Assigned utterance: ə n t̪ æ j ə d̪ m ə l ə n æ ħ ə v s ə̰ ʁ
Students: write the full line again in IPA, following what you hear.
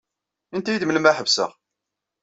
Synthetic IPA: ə n t̪ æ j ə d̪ m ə l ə m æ ħ ə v s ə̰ ʁ